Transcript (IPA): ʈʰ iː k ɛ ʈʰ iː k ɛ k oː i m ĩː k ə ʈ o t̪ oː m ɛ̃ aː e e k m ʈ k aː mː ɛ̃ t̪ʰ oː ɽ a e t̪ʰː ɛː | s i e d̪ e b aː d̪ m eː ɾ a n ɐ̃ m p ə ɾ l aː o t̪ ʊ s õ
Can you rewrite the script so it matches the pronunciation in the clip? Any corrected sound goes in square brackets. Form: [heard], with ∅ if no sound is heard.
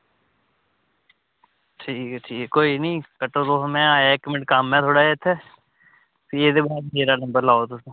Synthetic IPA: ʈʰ iː k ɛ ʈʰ iː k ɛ k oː i [n] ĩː k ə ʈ o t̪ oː m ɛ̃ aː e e k m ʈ k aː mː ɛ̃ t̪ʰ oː ɽ a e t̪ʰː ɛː | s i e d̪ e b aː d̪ m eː ɾ a n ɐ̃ m [b] ə ɾ l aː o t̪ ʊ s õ